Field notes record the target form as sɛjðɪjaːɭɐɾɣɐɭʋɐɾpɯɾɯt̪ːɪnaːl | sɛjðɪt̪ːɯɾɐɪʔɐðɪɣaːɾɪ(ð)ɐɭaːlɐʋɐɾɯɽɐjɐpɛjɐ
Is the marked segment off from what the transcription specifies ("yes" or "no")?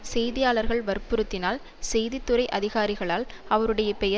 yes